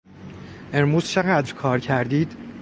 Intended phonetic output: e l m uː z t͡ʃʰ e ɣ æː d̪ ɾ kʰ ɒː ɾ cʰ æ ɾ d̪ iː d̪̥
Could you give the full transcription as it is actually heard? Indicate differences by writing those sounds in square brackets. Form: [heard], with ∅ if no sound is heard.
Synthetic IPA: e [ɾ] m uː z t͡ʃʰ e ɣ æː d̪ ɾ kʰ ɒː ɾ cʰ æ ɾ d̪ iː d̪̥